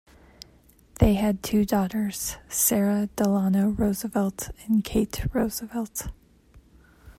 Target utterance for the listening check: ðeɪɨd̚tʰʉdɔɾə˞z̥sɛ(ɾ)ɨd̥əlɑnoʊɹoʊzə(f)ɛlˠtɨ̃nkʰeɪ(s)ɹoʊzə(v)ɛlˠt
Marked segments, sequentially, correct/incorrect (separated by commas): incorrect, incorrect, incorrect, correct